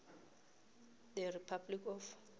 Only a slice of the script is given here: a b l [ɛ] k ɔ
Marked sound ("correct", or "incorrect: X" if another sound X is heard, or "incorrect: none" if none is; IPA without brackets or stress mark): incorrect: i